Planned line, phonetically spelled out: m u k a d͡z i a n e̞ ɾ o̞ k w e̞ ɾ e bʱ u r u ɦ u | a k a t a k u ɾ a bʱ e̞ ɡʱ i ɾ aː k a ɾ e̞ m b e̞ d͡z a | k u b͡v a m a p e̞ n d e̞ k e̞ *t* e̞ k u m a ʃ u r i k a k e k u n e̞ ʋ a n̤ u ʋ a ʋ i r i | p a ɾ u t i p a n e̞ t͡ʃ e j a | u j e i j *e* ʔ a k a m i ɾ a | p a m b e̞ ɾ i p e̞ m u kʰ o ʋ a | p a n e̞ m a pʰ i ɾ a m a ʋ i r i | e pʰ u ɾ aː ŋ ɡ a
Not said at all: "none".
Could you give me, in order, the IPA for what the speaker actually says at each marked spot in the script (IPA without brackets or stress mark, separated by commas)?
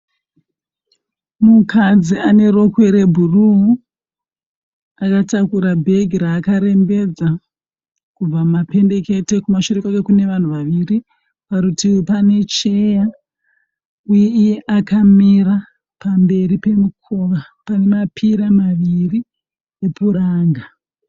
t, e